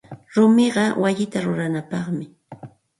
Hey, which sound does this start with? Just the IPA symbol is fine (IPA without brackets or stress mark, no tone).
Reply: ɾ